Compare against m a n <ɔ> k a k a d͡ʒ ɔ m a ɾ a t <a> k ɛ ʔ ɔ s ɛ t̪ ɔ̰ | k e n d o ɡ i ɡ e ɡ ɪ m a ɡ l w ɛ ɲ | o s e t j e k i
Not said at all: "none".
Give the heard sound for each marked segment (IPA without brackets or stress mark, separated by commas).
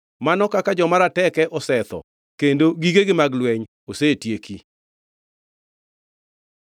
ɔ, ɛ